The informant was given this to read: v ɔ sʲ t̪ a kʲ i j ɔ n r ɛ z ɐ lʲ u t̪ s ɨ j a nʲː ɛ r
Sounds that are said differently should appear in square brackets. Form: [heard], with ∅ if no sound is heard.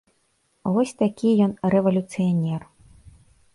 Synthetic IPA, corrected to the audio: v ɔ sʲ t̪ a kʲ i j ɔ n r ɛ [v] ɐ lʲ u t̪ s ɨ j a [nʲ] ɛ r